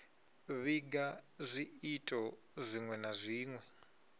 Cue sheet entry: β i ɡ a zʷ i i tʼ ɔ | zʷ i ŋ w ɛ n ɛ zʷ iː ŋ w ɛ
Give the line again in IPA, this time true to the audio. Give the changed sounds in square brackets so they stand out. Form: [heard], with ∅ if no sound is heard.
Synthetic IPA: β i ɡ a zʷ i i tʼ ɔ | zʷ i ŋ w ɛ n [a] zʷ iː ŋ w ɛ